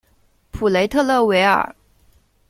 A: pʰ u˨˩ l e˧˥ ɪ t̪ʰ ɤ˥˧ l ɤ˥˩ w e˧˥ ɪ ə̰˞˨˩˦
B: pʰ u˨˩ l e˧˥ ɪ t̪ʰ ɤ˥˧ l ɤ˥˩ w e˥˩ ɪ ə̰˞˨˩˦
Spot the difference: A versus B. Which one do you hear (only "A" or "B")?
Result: A